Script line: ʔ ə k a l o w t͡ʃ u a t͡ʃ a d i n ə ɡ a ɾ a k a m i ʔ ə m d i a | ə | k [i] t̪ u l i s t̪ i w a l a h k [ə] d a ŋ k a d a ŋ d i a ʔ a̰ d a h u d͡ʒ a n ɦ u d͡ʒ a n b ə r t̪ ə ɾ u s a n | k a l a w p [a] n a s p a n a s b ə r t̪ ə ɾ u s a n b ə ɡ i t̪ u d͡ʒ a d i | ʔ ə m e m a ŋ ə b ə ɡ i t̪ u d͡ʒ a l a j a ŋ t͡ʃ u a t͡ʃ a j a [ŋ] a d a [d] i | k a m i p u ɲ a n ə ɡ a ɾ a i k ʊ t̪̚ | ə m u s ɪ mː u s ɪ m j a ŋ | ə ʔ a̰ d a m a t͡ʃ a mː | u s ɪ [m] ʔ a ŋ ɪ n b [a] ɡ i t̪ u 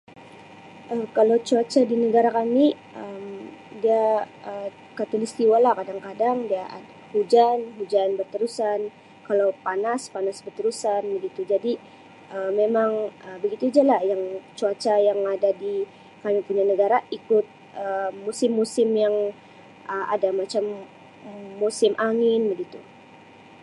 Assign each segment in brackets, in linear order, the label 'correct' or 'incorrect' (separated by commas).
incorrect, incorrect, correct, correct, correct, correct, incorrect